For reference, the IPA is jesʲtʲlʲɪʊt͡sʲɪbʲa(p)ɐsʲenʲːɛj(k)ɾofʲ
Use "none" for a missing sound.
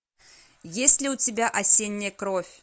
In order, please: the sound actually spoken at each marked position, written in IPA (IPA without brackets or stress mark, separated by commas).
ʔ, k